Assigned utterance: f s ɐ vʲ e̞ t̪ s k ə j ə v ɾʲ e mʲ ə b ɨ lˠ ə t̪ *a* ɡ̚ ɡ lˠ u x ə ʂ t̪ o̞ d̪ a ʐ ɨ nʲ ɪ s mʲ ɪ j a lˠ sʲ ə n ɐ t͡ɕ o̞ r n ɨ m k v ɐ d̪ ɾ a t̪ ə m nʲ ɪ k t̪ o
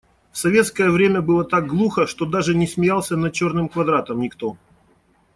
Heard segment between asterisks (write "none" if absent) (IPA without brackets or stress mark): a